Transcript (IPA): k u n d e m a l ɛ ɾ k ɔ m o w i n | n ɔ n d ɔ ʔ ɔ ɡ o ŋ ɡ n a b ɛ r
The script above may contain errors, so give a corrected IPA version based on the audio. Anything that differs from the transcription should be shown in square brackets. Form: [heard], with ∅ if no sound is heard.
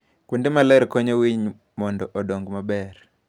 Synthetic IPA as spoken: k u n d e m a l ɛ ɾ k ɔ [ɲ] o w i [ɲ] | [m] ɔ n d ɔ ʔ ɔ [d] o ŋ ɡ [m] a b ɛ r